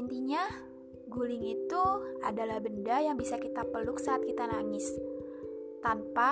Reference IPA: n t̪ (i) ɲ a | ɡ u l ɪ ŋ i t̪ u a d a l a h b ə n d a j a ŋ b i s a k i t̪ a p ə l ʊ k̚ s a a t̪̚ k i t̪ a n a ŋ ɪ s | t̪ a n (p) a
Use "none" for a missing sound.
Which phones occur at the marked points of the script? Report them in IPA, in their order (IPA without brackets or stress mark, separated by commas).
i, p